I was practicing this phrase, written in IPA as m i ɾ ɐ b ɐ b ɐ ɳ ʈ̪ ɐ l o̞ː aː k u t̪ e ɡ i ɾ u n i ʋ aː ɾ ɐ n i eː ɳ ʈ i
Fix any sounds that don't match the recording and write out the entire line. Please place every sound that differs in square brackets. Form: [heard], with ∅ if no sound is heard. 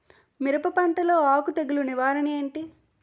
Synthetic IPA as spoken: m i ɾ ɐ [p] ɐ [p] ɐ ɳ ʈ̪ ɐ l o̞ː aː k u t̪ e ɡ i [l] u n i ʋ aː ɾ ɐ n i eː ɳ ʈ i